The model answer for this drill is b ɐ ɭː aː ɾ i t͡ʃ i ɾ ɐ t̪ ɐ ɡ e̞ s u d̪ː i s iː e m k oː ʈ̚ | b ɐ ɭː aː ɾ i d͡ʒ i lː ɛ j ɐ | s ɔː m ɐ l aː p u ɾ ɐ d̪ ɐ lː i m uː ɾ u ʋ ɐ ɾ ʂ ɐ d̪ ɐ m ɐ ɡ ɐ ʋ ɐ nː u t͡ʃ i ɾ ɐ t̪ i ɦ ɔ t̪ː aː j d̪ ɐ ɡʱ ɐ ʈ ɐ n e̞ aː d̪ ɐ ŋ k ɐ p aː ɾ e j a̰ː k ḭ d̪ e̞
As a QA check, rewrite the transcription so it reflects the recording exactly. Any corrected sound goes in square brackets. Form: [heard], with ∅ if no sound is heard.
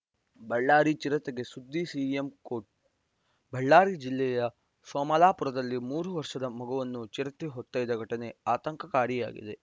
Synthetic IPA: b ɐ ɭː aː ɾ i t͡ʃ i ɾ ɐ t̪ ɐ ɡ e̞ s u d̪ː i s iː e m k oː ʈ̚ | b ɐ ɭː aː ɾ i d͡ʒ i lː ɛ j ɐ | s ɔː m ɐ l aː p u ɾ ɐ d̪ ɐ lː i m uː ɾ u ʋ ɐ ɾ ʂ ɐ d̪ ɐ m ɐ ɡ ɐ ʋ ɐ nː u t͡ʃ i ɾ ɐ t̪ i ɦ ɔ t̪ː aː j d̪ ɐ ɡʱ ɐ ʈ ɐ n e̞ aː [t̪] ɐ ŋ k ɐ [k] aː ɾ [i] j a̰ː [ɡ] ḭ d̪ e̞